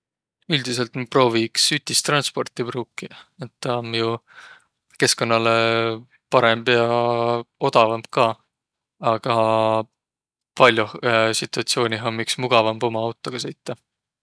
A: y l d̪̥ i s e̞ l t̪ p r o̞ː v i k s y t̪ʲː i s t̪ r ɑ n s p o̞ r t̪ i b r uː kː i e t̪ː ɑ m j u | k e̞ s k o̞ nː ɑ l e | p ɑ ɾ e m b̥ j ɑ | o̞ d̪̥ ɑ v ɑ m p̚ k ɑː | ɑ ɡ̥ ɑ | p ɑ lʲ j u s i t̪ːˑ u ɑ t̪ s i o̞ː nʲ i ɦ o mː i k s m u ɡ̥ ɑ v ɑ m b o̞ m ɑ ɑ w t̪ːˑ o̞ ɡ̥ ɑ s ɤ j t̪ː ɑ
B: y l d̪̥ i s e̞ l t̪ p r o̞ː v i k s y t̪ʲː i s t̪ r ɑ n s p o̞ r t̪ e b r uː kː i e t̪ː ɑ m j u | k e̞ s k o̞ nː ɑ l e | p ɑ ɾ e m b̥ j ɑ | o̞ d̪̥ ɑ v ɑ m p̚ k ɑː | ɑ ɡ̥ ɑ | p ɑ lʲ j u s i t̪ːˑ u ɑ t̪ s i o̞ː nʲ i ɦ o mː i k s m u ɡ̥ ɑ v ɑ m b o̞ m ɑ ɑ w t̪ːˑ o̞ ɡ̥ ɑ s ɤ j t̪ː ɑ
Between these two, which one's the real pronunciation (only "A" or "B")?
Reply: A